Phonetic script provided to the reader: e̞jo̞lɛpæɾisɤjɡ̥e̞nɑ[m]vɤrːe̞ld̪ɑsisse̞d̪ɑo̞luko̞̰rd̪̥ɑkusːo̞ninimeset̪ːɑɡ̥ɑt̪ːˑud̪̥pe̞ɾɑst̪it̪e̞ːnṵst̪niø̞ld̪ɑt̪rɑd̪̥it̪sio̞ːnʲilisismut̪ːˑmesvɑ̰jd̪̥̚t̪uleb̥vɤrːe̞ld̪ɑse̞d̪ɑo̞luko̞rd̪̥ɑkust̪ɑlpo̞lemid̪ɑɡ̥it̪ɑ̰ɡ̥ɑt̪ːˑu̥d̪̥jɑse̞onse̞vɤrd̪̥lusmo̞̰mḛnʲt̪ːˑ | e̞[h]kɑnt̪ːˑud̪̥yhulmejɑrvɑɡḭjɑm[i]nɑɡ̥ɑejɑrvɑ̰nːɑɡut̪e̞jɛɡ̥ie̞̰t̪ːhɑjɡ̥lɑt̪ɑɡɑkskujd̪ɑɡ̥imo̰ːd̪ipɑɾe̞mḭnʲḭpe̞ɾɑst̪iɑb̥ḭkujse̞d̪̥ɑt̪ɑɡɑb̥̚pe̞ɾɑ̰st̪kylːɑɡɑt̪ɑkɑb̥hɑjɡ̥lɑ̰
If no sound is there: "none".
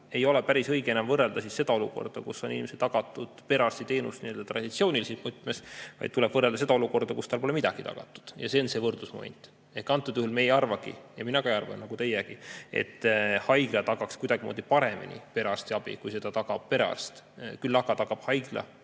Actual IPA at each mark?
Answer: m, h, i

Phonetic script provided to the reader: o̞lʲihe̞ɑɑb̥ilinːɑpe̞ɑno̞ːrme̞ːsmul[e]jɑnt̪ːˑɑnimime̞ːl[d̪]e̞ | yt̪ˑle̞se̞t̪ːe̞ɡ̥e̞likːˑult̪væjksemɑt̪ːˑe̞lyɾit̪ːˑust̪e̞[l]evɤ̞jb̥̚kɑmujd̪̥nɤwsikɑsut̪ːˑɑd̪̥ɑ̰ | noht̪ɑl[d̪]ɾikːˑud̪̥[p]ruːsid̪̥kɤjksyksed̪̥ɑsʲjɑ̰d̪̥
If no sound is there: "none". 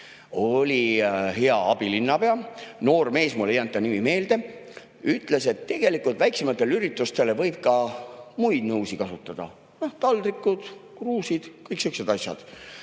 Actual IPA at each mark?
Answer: e, d̪, l, d̪, k

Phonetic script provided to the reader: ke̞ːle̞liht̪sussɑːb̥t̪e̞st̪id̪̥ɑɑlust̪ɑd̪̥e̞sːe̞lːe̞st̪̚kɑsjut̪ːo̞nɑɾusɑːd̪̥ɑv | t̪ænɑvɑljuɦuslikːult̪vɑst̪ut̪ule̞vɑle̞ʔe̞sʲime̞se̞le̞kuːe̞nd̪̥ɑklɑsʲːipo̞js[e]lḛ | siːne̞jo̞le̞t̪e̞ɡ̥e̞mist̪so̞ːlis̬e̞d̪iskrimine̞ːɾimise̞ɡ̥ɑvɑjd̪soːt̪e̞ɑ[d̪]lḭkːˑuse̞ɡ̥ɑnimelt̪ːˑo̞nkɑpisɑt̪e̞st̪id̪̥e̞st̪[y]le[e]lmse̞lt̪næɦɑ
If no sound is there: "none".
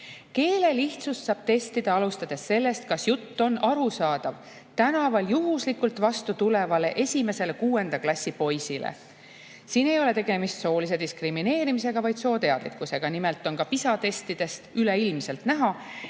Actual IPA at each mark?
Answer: i, d̪, y, i

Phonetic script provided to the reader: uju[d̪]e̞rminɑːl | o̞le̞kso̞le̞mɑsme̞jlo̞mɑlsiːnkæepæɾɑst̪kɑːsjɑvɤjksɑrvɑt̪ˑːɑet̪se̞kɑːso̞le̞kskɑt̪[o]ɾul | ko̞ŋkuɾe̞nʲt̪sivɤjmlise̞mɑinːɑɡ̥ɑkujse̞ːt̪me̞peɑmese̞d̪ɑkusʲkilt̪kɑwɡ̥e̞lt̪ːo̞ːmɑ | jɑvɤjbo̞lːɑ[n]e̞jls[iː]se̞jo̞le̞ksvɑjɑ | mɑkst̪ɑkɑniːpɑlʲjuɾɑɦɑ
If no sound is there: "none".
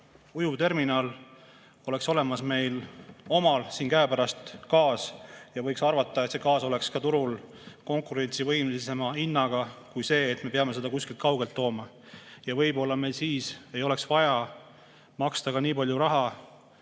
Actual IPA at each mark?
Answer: t̪, u, m, iː

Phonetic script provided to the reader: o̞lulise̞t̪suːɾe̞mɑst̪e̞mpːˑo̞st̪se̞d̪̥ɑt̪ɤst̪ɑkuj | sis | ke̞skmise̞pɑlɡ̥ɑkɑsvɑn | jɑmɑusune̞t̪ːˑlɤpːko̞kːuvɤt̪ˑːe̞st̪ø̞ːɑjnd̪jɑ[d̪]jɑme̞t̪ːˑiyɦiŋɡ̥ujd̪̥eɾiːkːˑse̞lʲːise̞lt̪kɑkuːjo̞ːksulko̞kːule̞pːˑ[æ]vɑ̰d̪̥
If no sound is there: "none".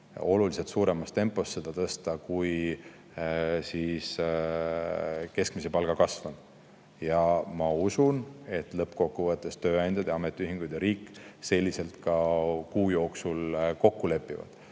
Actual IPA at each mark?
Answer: d̪, i

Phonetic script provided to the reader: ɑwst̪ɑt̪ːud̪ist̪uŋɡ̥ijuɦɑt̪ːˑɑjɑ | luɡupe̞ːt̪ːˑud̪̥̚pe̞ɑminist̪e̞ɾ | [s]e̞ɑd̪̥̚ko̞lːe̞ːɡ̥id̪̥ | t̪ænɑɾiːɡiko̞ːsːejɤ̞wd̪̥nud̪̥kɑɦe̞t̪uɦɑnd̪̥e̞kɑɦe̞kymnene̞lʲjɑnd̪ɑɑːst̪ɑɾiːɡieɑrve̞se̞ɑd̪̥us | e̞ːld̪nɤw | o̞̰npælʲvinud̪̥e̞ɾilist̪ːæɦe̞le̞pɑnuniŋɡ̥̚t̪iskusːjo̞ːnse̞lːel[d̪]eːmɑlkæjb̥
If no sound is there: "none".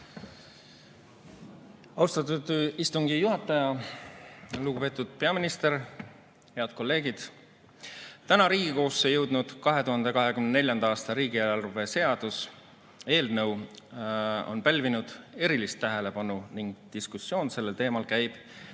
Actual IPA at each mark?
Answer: h, t̪

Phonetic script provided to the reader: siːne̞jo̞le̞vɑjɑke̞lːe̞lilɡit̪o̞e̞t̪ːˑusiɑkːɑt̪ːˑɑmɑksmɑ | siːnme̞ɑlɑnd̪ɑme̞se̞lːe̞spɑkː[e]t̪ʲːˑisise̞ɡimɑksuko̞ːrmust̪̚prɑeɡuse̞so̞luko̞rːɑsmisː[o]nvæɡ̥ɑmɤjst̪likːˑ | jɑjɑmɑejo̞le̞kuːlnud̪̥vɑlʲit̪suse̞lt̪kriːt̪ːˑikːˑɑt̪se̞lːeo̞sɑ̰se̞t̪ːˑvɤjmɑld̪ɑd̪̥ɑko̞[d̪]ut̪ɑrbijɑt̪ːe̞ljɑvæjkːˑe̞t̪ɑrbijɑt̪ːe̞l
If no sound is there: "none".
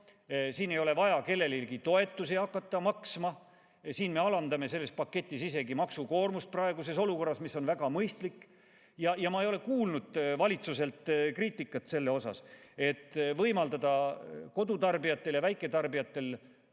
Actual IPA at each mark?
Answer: e, o, d̪

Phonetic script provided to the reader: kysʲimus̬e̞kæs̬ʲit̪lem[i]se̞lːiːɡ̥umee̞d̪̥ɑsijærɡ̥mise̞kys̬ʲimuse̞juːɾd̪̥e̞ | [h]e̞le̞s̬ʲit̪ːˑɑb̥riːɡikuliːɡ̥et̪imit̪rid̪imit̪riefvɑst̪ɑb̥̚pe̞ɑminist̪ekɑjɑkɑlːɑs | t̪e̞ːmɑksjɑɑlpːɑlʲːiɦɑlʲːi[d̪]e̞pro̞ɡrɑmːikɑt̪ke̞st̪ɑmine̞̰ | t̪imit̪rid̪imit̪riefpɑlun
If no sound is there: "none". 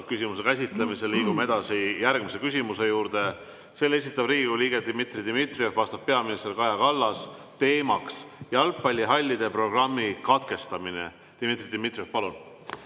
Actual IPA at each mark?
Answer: i, s, d̪

